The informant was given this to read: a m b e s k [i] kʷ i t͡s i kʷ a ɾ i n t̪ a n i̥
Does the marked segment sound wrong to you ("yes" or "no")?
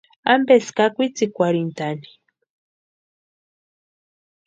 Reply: yes